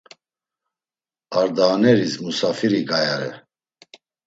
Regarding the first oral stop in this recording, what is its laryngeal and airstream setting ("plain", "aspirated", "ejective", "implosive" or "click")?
plain